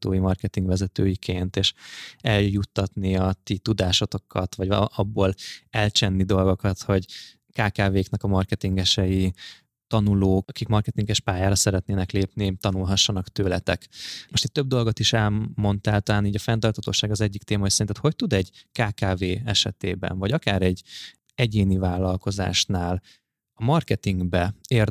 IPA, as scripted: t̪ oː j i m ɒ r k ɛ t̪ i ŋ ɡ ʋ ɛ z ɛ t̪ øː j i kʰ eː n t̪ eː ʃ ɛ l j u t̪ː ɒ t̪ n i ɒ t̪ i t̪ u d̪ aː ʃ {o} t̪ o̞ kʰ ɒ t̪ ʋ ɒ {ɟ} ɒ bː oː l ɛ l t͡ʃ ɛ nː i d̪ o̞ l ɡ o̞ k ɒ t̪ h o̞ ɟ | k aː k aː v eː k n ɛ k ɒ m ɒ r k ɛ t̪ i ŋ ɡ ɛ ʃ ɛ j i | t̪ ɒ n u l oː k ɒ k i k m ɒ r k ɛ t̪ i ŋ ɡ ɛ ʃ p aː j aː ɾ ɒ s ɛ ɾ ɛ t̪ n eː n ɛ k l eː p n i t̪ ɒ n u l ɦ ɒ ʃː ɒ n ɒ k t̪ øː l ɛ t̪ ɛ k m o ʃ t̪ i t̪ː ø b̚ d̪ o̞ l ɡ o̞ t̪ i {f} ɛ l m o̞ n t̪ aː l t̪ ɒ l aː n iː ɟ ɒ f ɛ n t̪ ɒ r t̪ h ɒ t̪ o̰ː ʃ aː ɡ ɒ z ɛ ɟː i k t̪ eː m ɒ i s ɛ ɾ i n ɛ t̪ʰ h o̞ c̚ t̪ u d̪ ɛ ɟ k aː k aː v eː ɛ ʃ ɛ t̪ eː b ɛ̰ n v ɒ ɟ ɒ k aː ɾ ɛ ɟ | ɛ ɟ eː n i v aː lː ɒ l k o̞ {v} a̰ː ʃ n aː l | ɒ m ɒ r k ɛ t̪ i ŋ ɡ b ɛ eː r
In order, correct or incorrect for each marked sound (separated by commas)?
correct, correct, incorrect, incorrect